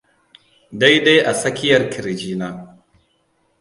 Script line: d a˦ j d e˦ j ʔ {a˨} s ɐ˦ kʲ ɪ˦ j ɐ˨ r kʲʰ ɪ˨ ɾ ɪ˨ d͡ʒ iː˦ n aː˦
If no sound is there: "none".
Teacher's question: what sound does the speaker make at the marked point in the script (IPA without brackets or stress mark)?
a˨